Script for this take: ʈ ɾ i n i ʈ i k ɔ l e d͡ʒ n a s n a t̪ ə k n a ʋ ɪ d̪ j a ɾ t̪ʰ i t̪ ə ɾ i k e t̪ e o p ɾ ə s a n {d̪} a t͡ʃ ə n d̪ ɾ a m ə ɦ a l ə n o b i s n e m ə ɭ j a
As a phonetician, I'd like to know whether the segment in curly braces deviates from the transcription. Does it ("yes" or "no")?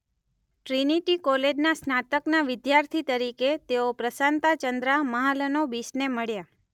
yes